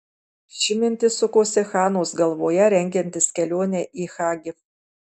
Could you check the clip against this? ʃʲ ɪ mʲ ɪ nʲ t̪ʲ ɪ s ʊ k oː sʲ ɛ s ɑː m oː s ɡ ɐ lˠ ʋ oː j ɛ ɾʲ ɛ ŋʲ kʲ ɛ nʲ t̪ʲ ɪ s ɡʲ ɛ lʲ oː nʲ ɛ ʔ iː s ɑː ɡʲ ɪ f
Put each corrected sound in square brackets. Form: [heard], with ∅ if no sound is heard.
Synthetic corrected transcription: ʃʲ ɪ mʲ ɪ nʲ t̪ʲ ɪ s ʊ k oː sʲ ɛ [x] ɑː [n] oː s ɡ ɐ lˠ ʋ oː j ɛ ɾʲ ɛ ŋʲ [ɡʲ] ɛ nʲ t̪ʲ ɪ s [kʲ] ɛ lʲ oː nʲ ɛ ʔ iː [x] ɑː ɡʲ ɪ f